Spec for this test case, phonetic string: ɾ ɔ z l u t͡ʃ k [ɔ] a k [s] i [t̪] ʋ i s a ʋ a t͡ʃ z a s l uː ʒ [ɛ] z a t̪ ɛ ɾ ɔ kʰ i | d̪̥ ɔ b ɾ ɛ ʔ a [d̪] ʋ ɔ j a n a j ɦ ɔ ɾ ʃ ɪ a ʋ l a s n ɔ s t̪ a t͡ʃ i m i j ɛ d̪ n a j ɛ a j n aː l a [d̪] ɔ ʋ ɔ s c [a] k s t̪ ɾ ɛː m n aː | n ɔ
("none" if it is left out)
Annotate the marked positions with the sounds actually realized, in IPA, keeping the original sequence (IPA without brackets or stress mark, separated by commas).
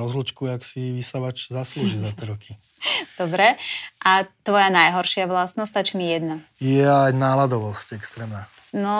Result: u, s, none, i, t̪, d̪, ɛ